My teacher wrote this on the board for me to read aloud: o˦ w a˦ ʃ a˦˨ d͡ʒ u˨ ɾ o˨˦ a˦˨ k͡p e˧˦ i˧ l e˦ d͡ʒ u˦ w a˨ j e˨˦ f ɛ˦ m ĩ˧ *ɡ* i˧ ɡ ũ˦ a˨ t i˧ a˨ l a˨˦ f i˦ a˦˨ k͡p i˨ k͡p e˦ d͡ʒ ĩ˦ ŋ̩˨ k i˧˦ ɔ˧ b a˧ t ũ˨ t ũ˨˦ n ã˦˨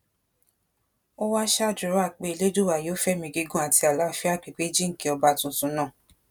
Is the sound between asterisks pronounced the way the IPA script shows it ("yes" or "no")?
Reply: yes